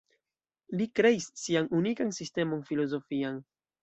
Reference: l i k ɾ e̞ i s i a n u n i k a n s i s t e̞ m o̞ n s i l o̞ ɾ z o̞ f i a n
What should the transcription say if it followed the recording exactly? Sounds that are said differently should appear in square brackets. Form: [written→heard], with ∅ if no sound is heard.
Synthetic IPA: l i k ɾ e̞ i [s→sː] i a n u n i k a n s i s t e̞ m o̞ n [s→f] i l o̞ [ɾ→∅] z o̞ f i a n